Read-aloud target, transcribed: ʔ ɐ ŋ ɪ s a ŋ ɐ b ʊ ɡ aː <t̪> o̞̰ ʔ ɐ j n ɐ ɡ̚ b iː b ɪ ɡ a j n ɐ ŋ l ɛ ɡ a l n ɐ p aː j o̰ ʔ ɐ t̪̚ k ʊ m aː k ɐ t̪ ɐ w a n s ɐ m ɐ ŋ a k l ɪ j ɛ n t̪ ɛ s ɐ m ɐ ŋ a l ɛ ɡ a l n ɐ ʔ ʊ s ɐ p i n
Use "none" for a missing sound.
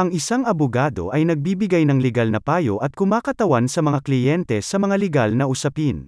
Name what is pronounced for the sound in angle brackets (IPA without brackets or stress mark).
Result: d̪